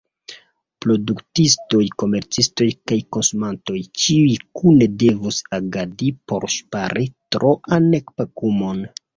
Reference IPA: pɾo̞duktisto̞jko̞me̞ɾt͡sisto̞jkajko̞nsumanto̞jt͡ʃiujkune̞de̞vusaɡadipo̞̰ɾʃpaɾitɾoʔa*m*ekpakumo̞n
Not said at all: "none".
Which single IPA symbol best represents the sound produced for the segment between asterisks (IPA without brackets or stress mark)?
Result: n